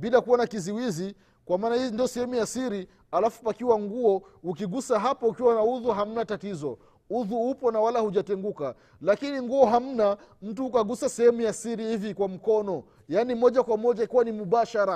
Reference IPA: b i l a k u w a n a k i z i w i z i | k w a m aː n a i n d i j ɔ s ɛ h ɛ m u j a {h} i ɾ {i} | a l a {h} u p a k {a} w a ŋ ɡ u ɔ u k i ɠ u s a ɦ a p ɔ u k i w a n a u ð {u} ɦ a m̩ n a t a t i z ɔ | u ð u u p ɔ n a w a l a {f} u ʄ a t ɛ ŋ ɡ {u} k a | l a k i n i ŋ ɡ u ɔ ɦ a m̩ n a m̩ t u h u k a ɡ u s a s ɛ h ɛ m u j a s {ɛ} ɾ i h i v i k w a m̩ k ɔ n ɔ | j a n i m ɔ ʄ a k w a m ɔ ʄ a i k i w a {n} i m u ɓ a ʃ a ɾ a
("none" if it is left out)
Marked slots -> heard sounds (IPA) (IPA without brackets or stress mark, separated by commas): s, i, f, i, u, h, u, i, n